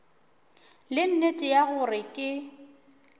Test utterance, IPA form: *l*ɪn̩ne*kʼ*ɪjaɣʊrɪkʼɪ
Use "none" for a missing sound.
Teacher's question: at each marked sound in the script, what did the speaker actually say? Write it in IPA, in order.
l, tʼ

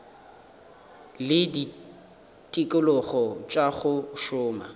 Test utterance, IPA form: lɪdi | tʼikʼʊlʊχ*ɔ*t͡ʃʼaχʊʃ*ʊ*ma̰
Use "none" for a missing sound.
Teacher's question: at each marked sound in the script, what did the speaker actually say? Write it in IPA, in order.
ɔ, ʊː

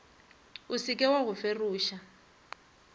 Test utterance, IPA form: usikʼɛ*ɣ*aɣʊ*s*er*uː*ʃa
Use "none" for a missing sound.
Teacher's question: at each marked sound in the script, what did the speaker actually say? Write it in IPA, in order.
w, f, uː

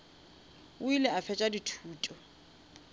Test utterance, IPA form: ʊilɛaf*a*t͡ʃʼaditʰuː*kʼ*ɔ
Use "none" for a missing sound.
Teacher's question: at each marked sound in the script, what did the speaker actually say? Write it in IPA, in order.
ɛ, tʼ

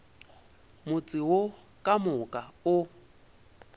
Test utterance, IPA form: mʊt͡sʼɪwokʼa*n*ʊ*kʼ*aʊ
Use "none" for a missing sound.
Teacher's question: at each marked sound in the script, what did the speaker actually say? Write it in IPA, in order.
m, kʼ

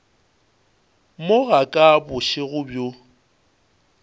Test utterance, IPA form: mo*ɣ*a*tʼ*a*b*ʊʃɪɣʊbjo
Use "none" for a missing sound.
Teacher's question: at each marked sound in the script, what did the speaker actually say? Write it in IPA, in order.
ɣ, kʼ, b

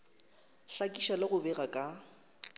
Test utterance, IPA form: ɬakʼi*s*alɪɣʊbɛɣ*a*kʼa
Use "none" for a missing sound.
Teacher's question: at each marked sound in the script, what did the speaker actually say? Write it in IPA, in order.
ʃ, a

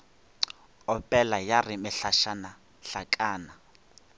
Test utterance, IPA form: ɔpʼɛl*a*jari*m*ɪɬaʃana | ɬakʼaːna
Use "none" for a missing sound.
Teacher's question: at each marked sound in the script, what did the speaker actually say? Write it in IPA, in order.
a, m

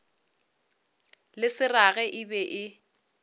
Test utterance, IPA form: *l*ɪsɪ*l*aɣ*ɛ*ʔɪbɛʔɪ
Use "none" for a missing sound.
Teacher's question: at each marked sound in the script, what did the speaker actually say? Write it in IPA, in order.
l, r, ɛ

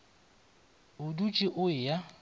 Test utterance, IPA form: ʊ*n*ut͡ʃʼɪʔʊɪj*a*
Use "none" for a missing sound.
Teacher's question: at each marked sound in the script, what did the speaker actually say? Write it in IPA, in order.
d, a

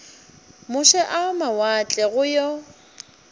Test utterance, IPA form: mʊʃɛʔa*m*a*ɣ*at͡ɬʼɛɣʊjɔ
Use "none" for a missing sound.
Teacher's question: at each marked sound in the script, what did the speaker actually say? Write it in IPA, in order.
m, w

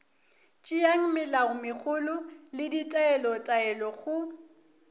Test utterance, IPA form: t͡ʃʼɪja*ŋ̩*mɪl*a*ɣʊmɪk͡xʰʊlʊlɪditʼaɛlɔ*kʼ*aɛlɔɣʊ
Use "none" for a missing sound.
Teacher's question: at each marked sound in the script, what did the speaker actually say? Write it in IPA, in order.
ŋ̩, a, tʼ

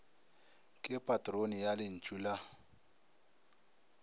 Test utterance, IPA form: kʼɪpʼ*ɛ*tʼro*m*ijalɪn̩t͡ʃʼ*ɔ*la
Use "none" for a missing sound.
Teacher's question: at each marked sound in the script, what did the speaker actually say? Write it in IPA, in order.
a, n, u

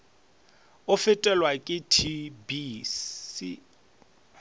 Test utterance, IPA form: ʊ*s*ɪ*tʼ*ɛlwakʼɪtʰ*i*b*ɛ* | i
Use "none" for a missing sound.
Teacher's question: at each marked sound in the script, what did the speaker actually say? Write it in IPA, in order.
f, tʼ, i, i

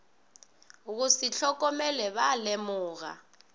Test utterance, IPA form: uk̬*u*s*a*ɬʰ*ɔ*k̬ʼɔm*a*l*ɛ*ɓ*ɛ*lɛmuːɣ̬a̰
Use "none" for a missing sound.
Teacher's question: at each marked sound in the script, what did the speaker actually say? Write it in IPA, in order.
u, i, ɔ, ɛ, ɛ, a

